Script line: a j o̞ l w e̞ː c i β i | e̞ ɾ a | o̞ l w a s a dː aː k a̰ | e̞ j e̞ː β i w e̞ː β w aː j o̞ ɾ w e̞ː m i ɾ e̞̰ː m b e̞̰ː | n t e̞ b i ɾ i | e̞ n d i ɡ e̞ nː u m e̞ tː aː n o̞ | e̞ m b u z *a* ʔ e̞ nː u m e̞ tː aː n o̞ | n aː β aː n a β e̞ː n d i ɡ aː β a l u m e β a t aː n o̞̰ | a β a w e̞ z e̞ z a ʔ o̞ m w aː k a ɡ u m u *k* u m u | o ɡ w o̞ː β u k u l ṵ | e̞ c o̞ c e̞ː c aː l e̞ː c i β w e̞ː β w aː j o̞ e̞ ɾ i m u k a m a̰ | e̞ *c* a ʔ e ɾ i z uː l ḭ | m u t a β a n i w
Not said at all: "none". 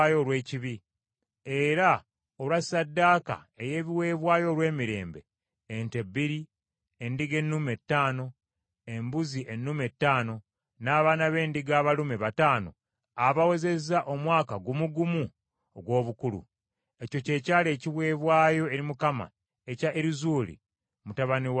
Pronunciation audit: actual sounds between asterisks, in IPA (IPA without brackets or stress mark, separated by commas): i, ɡ, c